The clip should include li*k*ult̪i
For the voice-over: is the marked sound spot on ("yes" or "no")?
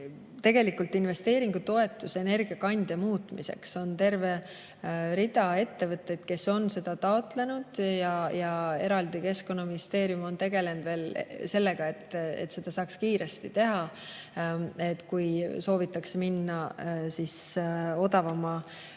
yes